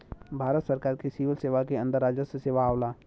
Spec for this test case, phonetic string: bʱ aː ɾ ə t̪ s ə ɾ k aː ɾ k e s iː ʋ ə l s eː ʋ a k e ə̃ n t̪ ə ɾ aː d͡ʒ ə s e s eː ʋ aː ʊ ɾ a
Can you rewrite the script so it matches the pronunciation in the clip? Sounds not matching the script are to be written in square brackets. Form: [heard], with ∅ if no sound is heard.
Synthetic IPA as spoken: bʱ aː ɾ ə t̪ s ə ɾ k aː ɾ k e s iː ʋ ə l s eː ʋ a k e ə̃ n [d̪] ə ɾ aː d͡ʒ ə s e s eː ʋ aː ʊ [l] a